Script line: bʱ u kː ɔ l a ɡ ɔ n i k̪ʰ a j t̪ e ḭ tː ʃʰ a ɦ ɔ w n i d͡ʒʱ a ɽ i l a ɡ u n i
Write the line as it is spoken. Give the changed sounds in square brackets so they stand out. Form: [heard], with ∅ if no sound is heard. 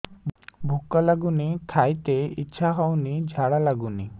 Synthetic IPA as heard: bʱ u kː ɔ l a ɡ [u] n i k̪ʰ a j t̪ e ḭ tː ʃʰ a ɦ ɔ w n i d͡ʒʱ a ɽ [a] l a ɡ u n i